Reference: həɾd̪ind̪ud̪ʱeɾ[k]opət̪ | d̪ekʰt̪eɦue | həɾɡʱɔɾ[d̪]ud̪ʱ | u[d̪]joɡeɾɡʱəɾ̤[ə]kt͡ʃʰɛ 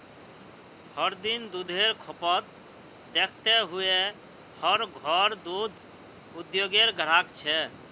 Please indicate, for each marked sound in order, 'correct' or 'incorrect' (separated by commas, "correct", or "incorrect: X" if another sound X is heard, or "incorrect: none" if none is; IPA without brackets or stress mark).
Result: incorrect: kʰ, correct, correct, incorrect: a